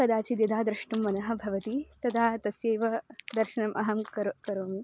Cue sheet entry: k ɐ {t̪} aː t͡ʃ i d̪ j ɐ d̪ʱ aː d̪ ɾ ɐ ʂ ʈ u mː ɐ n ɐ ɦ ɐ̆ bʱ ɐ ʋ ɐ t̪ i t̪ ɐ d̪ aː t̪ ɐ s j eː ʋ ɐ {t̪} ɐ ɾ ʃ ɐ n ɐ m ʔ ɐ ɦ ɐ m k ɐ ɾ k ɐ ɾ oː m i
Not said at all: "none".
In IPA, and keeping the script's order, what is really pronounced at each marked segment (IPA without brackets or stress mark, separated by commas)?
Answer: d̪, d̪